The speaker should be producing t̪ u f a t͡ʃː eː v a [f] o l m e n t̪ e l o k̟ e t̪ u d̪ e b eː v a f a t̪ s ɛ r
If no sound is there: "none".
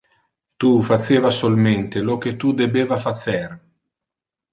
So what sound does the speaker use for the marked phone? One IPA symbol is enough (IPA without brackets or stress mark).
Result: s